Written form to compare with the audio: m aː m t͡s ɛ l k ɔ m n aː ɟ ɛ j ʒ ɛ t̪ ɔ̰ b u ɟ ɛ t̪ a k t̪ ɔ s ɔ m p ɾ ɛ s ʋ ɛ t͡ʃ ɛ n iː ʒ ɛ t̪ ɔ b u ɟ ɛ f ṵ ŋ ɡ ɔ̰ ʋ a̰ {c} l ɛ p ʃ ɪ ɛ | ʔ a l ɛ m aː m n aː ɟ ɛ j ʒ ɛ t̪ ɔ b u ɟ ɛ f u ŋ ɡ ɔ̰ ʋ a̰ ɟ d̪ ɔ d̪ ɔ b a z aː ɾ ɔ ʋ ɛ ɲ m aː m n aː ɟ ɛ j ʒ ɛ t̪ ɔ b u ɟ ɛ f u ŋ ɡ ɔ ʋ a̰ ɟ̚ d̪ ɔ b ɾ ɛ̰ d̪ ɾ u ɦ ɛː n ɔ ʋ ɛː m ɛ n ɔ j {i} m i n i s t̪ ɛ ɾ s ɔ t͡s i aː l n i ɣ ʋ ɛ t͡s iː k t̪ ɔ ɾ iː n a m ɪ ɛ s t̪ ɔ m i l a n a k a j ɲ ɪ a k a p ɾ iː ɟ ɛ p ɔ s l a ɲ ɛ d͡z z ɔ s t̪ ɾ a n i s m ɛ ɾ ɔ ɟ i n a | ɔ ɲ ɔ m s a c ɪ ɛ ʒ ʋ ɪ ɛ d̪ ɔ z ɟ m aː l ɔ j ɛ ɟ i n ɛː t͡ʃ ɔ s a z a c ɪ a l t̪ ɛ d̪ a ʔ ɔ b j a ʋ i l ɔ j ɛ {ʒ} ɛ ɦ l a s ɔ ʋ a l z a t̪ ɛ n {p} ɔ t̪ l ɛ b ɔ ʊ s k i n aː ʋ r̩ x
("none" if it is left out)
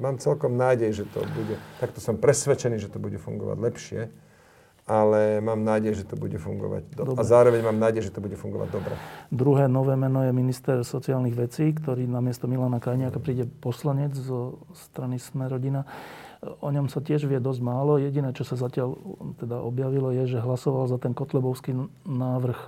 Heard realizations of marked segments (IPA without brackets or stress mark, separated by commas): ɟ, ɛ, ʒ, k